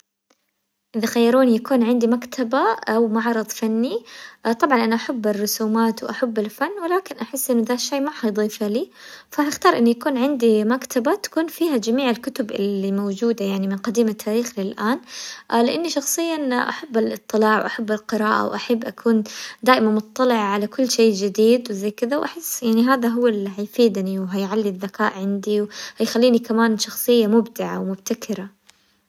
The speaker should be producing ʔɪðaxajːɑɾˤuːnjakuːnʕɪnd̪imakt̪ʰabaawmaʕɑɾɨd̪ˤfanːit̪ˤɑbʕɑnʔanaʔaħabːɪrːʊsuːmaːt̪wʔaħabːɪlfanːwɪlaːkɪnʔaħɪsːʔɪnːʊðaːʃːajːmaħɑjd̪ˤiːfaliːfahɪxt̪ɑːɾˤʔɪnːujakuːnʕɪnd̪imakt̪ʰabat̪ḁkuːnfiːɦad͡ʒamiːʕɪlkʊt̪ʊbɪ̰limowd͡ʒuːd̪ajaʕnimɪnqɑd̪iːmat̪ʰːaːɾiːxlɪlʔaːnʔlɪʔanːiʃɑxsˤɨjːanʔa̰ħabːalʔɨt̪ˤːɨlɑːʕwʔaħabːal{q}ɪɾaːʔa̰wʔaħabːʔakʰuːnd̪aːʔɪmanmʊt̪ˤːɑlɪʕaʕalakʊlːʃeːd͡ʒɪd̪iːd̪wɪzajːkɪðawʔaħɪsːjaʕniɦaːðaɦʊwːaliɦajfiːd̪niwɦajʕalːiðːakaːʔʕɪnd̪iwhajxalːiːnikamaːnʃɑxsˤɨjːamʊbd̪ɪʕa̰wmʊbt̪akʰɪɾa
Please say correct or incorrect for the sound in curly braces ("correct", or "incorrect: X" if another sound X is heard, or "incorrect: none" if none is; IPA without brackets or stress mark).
correct